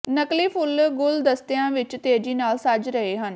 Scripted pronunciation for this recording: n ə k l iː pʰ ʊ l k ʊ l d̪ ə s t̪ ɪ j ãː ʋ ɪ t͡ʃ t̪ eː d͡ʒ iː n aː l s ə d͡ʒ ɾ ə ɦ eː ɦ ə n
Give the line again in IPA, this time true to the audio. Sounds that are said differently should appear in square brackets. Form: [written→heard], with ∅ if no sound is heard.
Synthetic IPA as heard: n ə k l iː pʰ ʊ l [k→ɡ] ʊ l d̪ ə s t̪ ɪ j ãː ʋ ɪ t͡ʃ t̪ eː d͡ʒ iː n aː l s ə d͡ʒ ɾ ə ɦ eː ɦ ə n